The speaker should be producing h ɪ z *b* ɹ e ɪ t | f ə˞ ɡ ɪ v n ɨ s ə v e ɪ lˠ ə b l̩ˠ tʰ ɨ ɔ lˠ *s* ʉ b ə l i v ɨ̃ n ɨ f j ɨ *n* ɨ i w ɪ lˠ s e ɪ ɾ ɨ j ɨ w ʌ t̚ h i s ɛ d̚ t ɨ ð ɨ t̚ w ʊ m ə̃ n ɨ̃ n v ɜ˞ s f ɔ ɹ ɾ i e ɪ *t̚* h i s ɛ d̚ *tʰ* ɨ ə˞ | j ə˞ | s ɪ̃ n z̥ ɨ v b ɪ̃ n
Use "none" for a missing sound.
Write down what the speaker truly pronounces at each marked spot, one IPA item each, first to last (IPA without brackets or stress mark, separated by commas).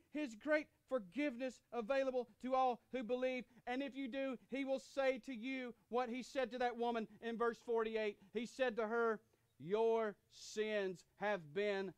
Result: ɡ, h, d, t̚, t